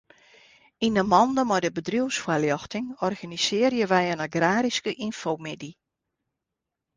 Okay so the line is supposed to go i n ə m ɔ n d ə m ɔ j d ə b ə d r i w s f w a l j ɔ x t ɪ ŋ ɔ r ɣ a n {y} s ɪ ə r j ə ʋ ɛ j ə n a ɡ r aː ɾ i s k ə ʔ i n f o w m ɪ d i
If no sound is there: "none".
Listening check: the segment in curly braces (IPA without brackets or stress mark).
i